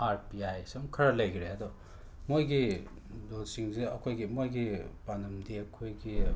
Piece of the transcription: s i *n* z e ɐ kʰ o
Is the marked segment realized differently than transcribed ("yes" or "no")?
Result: yes